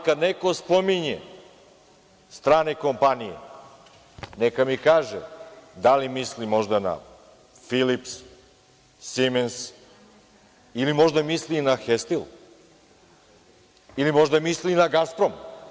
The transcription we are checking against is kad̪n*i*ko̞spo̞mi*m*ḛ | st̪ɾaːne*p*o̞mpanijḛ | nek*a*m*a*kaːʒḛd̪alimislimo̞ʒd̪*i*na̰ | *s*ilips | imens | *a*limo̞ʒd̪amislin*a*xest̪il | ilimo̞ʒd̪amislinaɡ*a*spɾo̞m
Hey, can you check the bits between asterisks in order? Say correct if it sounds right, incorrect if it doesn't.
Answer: incorrect, incorrect, incorrect, correct, incorrect, incorrect, incorrect, incorrect, correct, correct

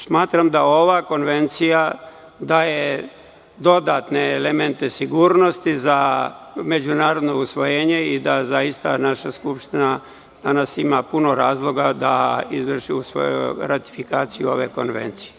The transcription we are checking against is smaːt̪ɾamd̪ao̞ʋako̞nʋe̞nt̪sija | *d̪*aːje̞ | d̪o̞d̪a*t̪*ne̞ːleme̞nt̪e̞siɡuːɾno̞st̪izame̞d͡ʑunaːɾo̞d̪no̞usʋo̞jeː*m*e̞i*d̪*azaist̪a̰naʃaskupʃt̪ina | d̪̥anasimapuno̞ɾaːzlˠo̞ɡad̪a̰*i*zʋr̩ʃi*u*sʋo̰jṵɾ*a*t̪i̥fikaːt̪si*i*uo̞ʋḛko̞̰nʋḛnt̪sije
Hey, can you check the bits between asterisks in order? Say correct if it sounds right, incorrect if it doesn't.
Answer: correct, correct, incorrect, correct, correct, correct, correct, incorrect

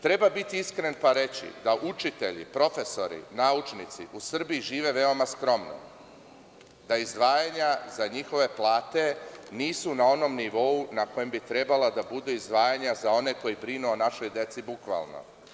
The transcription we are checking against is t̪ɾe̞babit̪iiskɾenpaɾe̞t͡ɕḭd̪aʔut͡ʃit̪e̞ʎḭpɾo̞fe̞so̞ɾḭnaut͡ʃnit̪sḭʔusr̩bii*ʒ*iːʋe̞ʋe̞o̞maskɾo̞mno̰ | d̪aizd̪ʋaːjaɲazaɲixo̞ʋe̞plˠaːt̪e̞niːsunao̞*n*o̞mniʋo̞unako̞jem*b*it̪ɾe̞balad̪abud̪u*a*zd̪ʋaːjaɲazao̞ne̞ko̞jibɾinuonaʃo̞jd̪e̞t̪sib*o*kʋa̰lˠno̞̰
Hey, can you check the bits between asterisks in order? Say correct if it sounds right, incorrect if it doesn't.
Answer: correct, correct, correct, incorrect, incorrect

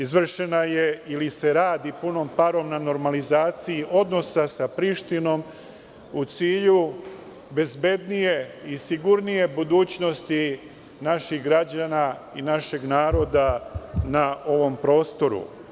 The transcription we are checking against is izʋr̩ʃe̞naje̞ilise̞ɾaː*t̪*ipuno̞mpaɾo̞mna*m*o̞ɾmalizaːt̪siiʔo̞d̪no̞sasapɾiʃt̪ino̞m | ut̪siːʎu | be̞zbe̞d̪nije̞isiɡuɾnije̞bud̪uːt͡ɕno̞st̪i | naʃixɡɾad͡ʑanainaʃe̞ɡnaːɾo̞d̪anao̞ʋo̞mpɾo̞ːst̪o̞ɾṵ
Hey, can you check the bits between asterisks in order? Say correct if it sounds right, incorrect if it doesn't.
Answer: incorrect, incorrect

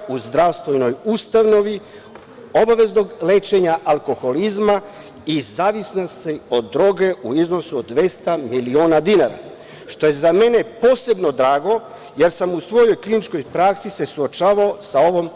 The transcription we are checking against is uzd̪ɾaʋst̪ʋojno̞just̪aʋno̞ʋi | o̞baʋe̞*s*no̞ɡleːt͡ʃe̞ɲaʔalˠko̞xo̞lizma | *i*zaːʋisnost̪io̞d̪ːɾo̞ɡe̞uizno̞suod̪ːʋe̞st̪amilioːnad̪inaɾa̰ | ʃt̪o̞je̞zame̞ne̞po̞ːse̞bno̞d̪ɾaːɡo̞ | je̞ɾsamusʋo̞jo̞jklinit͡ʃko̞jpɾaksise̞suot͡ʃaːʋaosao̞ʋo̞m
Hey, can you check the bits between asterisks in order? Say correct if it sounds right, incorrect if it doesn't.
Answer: incorrect, correct

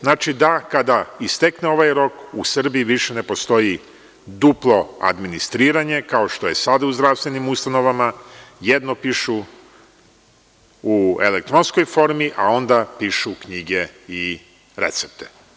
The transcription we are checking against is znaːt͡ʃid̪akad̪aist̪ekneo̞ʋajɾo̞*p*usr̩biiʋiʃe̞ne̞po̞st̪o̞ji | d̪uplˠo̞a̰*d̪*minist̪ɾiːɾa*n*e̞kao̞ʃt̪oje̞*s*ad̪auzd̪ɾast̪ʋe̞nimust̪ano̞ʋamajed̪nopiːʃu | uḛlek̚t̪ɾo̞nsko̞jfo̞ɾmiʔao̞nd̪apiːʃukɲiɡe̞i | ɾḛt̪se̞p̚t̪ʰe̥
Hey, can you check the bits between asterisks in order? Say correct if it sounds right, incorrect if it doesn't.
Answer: incorrect, correct, incorrect, correct

